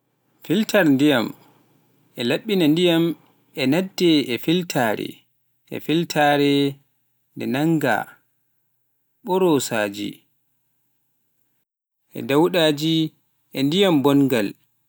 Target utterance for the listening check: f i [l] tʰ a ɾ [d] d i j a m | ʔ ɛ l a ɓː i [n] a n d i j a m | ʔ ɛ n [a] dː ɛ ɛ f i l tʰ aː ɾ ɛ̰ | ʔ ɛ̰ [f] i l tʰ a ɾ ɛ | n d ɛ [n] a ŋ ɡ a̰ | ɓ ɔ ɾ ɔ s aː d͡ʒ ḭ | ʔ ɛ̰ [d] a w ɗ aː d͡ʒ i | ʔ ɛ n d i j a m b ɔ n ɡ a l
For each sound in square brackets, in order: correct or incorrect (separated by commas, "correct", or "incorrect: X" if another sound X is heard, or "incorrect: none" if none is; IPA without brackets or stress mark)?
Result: correct, incorrect: n, correct, correct, correct, correct, correct